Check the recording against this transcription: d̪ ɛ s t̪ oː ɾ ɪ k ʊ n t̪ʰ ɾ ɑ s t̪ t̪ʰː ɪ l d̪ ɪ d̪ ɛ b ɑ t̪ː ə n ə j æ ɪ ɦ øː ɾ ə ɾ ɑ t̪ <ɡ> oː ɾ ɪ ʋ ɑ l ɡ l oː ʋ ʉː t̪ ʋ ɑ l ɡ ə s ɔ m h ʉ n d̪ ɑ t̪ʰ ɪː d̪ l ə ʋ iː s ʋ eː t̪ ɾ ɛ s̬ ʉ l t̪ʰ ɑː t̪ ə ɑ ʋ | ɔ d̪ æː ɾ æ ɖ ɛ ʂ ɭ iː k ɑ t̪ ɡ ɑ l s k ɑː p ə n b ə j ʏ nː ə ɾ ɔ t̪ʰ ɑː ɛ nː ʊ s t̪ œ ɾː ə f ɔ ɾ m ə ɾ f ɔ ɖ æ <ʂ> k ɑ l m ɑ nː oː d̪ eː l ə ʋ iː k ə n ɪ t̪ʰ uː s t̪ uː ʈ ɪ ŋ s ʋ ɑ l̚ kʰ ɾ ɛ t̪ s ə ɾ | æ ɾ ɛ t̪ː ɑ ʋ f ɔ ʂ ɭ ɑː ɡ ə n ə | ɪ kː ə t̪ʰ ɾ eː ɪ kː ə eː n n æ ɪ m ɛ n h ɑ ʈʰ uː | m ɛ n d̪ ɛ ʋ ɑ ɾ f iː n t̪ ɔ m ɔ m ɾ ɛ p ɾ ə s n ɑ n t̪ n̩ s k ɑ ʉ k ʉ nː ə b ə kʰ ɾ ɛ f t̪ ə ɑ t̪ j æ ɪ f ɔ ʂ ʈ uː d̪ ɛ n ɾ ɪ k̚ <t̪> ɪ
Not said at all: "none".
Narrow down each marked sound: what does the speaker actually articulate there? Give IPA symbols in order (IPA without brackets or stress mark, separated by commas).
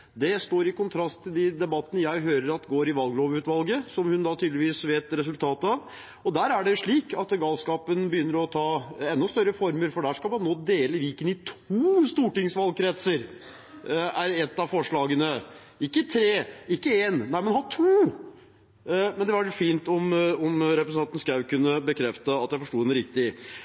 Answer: ɡ, ʂ, t̪